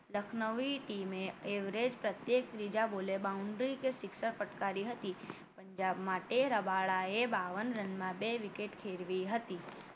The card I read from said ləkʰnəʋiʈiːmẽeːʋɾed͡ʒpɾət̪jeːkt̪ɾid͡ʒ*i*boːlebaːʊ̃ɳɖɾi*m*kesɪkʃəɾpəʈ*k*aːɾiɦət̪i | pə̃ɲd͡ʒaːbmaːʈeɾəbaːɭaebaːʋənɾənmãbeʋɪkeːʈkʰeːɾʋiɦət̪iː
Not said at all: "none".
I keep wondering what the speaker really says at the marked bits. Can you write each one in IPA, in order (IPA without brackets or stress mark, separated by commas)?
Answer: a, none, k